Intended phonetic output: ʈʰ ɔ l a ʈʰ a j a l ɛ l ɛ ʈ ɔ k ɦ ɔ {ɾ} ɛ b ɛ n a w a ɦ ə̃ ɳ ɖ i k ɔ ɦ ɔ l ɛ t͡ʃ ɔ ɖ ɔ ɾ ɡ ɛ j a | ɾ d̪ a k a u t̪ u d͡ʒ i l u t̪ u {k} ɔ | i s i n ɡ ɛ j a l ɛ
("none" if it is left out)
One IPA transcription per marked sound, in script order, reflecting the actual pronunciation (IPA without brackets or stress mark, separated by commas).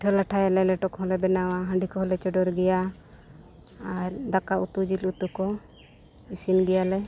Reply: l, k